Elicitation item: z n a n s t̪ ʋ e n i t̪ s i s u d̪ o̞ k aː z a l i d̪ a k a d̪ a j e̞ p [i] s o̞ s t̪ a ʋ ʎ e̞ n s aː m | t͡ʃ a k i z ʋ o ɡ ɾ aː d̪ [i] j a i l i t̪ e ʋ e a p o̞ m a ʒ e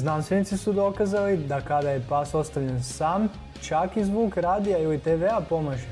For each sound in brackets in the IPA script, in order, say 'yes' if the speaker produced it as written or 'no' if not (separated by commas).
no, yes